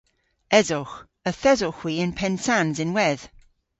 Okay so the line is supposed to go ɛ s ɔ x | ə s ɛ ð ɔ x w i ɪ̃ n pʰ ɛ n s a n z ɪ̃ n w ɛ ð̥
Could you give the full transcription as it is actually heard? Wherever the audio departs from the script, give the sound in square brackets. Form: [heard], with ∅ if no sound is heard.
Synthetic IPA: ɛ [z] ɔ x | ə [θ] ɛ [z] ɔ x w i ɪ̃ n pʰ ɛ n s a n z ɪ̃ n w ɛ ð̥